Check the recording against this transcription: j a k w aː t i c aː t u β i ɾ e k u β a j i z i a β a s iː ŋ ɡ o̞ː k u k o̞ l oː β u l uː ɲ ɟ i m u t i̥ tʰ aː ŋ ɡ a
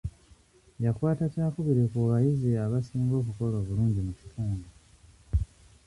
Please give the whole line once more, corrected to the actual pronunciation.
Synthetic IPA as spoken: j a k w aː t a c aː k u β i ɾ e k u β a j i z i a β a s iː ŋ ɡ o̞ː k u k o̞ l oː β u l uː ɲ ɟ i m u c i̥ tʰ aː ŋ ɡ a